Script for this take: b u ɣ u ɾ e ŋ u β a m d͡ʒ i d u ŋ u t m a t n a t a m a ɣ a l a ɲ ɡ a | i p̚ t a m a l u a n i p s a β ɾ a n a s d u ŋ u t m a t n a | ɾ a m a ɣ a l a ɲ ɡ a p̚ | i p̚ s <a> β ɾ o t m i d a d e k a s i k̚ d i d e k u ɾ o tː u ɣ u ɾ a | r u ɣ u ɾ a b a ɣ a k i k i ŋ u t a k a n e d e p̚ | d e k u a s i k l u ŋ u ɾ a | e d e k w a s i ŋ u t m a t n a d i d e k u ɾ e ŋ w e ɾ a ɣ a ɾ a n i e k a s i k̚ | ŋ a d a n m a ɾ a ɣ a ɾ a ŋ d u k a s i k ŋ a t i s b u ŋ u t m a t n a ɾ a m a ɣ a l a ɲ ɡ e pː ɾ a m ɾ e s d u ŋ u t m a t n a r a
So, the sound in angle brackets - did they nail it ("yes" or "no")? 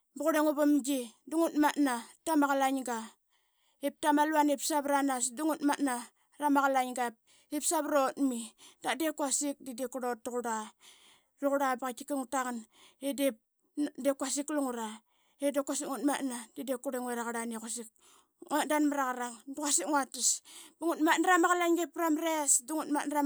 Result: yes